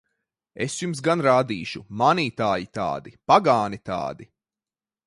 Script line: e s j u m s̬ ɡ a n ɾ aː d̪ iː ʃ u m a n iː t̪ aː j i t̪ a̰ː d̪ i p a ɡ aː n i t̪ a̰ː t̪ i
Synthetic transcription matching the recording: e s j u m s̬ ɡ a n ɾ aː d̪ iː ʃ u m a n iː t̪ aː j i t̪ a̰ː d̪ i p a ɡ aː n i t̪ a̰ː d̪ i